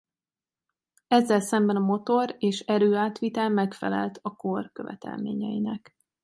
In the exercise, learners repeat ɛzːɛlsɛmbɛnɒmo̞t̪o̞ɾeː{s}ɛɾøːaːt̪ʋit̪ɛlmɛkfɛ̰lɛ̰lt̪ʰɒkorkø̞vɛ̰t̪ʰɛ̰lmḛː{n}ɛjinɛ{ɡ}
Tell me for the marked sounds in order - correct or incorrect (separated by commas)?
incorrect, incorrect, incorrect